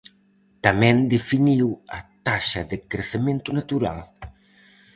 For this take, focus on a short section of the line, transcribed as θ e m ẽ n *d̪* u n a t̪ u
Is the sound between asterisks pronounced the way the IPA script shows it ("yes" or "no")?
no